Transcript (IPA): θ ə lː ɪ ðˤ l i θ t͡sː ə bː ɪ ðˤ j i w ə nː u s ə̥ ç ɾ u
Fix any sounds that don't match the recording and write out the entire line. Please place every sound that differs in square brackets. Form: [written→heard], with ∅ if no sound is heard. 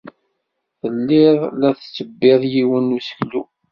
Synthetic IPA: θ ə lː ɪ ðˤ l [i→æ] θ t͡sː ə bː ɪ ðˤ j i w ə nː u s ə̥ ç [ɾ→l] u